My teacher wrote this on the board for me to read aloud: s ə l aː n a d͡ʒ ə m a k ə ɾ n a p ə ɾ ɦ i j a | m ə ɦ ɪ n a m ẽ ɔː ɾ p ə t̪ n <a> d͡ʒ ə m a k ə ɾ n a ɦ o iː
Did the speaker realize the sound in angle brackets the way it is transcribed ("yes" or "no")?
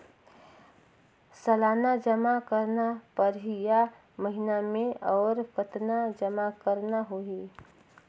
yes